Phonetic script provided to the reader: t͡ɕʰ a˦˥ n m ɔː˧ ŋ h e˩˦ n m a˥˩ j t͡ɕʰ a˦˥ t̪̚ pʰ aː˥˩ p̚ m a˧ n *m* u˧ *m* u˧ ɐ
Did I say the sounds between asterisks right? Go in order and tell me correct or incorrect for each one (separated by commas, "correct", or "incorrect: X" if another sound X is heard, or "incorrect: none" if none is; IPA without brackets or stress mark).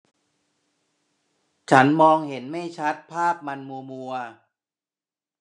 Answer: correct, correct